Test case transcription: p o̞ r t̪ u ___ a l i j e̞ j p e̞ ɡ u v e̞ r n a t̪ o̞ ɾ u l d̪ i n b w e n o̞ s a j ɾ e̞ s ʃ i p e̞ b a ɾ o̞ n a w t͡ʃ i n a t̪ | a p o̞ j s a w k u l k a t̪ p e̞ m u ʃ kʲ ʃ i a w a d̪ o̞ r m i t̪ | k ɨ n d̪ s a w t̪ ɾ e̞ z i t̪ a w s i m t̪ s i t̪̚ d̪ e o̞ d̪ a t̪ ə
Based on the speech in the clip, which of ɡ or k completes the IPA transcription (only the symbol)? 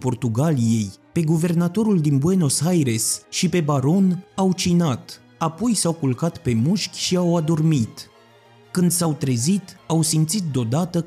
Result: ɡ